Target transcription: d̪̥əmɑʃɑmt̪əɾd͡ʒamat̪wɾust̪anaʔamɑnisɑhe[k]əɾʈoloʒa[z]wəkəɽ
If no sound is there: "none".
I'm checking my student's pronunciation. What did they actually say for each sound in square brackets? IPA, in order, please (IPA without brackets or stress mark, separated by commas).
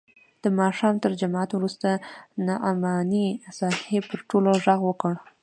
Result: p, ɣ